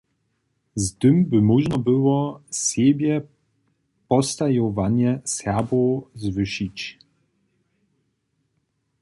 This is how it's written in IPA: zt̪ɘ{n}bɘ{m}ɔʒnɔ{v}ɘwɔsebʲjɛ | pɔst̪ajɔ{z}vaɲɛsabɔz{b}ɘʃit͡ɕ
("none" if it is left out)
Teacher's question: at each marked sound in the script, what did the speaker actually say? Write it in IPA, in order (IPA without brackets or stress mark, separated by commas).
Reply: m, m, b, none, v